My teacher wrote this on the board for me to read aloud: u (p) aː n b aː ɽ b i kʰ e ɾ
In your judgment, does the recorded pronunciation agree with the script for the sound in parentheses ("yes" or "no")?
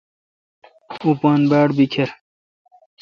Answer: yes